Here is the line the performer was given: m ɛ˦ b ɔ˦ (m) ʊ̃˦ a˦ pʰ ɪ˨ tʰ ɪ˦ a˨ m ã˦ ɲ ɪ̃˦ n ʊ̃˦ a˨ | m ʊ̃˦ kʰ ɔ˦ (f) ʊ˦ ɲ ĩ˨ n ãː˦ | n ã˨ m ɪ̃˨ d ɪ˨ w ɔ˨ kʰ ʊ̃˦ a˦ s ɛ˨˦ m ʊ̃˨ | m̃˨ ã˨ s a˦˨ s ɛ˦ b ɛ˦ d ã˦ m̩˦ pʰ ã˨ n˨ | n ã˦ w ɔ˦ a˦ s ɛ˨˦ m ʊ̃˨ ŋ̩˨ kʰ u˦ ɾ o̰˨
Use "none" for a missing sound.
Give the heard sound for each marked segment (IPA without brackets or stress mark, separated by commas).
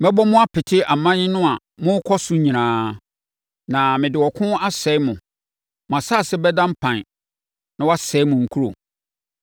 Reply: m, s